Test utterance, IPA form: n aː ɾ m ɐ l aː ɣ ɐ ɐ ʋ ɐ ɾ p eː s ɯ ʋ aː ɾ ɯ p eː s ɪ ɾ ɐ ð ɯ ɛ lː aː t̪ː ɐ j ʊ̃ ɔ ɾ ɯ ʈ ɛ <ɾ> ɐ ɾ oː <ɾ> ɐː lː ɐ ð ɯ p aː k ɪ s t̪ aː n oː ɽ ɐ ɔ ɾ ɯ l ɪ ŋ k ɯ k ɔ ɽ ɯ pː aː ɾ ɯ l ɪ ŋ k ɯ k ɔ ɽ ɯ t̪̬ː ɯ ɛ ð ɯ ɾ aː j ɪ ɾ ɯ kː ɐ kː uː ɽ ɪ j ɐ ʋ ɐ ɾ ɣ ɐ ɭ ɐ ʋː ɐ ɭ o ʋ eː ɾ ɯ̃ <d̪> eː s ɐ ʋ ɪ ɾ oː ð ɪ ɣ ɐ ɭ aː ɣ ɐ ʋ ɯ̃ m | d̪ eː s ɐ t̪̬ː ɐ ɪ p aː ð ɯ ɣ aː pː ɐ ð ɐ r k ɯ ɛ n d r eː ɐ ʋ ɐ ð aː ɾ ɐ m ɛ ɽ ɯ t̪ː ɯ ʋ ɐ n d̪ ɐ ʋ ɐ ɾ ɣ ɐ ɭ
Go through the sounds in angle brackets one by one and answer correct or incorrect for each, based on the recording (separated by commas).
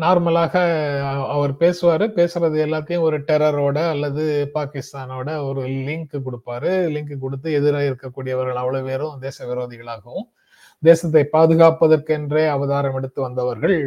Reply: correct, incorrect, correct